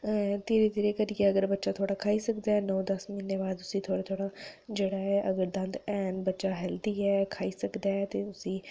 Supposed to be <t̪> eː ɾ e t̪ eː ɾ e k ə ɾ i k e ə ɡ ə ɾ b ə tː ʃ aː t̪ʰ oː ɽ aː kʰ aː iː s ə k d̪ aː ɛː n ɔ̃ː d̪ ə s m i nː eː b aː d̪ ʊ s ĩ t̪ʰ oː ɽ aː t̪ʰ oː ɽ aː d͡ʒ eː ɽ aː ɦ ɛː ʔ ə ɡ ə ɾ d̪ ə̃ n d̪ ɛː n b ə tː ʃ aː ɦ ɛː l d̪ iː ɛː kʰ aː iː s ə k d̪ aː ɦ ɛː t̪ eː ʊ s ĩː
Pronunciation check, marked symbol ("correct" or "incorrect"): correct